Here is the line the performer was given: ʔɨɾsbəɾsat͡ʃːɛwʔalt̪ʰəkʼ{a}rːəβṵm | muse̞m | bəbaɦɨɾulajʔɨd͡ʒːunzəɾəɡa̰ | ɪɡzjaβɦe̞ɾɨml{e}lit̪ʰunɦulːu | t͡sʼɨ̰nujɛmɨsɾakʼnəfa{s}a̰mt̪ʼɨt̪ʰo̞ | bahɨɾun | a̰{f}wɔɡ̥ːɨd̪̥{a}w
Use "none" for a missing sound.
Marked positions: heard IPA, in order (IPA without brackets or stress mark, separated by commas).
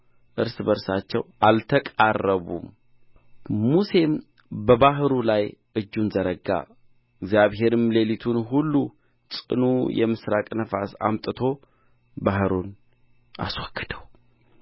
a, e, s, s, ə